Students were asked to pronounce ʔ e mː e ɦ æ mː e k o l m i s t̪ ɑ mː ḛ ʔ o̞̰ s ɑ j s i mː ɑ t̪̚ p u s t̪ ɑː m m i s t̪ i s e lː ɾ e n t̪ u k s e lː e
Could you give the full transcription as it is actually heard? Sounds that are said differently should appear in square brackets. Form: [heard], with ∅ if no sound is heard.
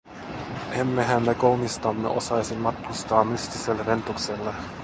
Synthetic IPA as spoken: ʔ e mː e ɦ æ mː e k o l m i s t̪ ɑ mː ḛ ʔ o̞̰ s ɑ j s i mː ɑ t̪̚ [k] u s t̪ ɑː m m [y] s t̪ i s e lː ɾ e n t̪ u k s e lː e